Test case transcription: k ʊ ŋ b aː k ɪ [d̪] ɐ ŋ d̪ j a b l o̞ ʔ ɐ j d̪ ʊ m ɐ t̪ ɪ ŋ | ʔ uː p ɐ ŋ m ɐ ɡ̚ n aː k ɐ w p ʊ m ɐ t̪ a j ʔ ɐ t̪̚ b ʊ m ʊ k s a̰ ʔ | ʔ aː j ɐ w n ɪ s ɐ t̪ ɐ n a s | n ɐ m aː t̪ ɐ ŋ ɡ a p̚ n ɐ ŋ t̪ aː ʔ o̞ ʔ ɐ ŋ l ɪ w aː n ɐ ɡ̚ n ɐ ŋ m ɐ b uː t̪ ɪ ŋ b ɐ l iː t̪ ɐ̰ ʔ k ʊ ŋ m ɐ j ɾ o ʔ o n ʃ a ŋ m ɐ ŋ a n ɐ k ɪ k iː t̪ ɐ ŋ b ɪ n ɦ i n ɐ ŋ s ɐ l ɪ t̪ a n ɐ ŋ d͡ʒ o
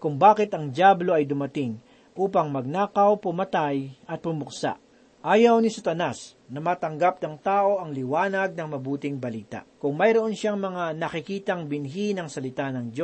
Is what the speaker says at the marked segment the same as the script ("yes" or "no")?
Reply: no